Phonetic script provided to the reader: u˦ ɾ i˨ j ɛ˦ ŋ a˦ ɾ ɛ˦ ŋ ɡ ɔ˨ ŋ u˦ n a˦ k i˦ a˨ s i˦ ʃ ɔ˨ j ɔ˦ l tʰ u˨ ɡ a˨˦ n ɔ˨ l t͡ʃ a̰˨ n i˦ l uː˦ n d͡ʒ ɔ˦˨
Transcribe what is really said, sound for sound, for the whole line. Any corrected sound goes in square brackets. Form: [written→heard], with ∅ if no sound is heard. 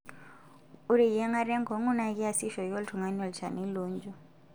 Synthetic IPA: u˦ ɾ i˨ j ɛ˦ ŋ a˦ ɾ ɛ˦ ŋ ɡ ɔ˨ ŋ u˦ n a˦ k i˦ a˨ s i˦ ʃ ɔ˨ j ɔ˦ l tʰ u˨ [ɡ→ŋ] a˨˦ n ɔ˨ l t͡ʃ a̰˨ n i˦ l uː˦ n d͡ʒ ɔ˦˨